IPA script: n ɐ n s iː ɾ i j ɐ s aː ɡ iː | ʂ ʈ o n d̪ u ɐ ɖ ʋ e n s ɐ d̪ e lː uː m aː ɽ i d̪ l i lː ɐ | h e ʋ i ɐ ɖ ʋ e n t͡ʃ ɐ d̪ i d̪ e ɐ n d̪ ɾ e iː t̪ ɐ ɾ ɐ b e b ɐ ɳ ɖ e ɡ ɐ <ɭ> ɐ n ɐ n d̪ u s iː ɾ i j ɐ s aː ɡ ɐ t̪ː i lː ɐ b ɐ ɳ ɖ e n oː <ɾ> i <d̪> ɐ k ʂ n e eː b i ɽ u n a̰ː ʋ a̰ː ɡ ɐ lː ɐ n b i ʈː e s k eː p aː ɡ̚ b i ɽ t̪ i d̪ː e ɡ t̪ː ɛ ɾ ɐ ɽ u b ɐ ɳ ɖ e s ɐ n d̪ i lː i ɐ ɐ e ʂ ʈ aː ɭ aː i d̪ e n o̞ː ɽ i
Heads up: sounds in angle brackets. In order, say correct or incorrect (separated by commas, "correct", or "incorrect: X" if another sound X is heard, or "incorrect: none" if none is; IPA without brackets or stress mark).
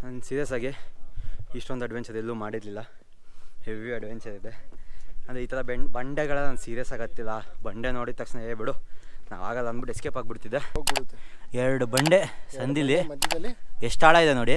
correct, incorrect: ɽ, incorrect: t̪